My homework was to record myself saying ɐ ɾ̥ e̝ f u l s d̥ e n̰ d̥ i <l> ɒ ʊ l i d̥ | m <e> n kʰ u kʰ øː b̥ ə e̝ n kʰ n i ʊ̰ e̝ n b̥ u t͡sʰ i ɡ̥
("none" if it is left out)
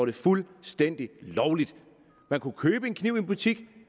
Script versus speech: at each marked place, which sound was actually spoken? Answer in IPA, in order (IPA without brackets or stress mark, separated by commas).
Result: l, æ